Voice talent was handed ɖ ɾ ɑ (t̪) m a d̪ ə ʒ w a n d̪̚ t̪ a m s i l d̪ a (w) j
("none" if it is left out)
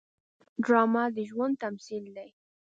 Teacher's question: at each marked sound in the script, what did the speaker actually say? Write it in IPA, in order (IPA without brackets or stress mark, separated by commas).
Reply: none, none